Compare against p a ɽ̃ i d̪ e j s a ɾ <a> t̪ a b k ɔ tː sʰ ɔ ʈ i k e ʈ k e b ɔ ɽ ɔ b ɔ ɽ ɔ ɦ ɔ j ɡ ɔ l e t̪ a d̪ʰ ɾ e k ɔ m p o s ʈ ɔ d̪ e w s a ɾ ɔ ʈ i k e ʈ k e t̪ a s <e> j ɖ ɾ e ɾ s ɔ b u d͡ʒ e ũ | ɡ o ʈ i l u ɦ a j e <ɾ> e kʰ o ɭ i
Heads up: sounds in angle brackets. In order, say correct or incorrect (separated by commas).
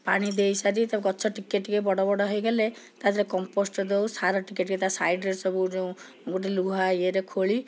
incorrect, incorrect, correct